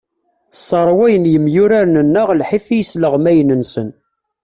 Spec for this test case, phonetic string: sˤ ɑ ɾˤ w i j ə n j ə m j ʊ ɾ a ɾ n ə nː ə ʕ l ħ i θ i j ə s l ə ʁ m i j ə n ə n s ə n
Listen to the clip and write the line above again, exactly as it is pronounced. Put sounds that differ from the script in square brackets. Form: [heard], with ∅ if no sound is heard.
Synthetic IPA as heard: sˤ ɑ ɾˤ w [æ] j ə n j ə m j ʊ ɾ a ɾ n ə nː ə [ʁ] l ħ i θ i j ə s l ə ʁ m [æ] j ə n ə n s ə n